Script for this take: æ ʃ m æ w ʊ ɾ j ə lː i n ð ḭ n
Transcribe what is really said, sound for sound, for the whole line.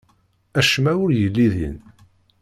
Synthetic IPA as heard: æ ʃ m æ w ʊ ɾ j ə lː i ð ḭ n